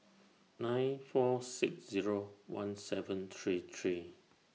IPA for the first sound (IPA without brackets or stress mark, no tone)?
n